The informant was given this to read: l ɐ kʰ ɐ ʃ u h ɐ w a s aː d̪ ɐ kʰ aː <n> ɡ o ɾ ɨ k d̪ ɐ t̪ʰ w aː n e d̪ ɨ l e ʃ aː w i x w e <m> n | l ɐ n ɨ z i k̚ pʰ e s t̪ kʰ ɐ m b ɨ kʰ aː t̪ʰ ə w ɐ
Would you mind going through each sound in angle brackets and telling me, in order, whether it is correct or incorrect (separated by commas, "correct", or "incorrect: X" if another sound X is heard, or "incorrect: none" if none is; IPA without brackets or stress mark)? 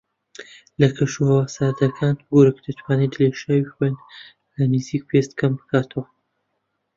correct, incorrect: none